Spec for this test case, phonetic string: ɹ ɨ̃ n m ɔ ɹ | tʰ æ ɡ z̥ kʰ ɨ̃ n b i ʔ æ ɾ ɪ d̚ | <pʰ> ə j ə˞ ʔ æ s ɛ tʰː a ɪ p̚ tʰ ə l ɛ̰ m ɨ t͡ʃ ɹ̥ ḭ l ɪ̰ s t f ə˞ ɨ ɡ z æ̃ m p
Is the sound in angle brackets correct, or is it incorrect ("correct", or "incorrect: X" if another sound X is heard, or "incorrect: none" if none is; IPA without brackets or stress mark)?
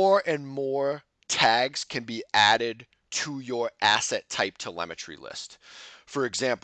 incorrect: tʰ